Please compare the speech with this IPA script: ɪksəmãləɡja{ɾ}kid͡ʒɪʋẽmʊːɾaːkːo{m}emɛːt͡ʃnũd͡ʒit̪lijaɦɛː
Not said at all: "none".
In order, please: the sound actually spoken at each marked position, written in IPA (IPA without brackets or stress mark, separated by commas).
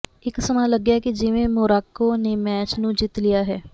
none, n